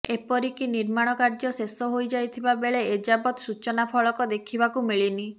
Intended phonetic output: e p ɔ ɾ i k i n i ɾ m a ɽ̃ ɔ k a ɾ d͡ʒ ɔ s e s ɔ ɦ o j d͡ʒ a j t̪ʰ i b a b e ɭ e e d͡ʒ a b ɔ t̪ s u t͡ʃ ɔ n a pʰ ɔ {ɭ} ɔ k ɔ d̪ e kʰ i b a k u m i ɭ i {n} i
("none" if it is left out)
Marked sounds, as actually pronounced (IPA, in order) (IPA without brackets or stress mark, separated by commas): ɭ, n